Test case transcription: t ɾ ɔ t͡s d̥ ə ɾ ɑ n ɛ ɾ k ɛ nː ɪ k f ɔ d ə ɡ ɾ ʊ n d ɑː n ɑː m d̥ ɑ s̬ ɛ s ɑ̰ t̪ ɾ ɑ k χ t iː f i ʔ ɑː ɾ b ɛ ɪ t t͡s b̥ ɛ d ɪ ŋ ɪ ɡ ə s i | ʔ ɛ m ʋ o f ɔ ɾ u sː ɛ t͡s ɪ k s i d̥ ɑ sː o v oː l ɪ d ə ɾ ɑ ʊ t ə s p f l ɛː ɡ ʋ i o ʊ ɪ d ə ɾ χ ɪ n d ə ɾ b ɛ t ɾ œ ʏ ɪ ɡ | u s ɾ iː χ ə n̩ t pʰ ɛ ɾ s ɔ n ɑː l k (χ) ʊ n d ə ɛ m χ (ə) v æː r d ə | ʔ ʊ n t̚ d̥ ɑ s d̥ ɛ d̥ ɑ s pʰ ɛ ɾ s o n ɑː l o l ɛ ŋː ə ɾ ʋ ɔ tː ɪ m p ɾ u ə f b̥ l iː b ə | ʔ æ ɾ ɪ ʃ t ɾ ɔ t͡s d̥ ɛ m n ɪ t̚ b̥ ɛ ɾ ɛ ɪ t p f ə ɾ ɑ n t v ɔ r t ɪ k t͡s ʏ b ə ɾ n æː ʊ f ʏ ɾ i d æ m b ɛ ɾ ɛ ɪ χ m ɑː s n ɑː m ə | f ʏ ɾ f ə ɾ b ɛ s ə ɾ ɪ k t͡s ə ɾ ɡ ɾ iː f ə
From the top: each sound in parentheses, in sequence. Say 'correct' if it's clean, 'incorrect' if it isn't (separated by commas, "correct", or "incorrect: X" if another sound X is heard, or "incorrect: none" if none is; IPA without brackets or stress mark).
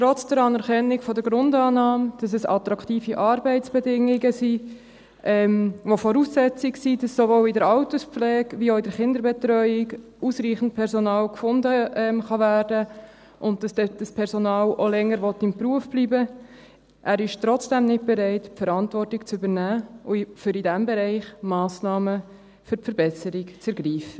incorrect: f, incorrect: ɑ